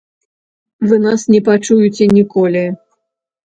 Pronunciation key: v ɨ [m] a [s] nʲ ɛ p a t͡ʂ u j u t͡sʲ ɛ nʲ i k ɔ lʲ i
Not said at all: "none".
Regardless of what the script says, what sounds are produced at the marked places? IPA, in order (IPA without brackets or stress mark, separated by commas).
n, s